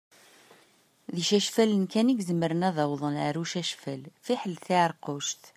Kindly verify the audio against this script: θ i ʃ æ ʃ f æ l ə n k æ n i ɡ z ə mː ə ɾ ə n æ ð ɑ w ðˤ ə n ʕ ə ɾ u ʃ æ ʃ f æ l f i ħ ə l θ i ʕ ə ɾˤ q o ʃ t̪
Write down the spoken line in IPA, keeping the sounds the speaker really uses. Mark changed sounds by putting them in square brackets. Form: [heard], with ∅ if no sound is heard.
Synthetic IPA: [ð] i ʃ æ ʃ f æ l ə n k æ n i ɡ z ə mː ə ɾ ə n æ ð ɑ w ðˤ ə n ʕ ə ɾ u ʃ æ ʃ f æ l f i ħ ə l θ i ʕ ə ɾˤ q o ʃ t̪